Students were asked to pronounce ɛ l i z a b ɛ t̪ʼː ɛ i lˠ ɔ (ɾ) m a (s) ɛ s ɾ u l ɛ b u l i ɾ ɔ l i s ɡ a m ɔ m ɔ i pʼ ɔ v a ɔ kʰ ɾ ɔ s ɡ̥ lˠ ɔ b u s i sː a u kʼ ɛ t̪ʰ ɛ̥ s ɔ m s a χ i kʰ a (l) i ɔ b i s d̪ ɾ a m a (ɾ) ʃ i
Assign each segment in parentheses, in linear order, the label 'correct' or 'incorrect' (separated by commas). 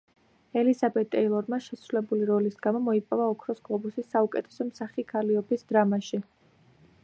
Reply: correct, incorrect, correct, incorrect